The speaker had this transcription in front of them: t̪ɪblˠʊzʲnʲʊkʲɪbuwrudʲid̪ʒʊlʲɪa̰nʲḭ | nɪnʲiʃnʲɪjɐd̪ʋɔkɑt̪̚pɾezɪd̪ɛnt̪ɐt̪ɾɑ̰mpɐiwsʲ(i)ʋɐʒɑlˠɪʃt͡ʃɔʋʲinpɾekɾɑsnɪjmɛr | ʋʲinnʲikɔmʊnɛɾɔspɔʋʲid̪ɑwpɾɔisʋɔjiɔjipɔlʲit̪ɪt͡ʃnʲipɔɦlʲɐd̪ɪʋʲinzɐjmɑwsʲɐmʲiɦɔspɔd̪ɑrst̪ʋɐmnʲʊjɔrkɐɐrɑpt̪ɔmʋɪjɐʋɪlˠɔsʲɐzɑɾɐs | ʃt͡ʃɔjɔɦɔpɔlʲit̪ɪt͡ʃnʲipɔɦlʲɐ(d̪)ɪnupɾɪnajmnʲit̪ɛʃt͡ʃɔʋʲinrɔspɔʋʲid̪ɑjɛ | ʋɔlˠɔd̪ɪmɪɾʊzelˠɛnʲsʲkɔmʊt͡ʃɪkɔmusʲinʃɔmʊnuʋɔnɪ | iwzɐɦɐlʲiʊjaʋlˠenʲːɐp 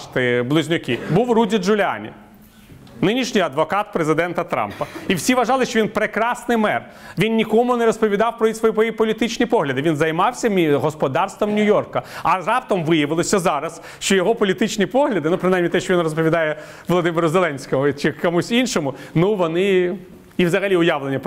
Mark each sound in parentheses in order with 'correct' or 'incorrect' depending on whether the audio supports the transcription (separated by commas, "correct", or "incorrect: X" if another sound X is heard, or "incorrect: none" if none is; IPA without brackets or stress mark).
correct, correct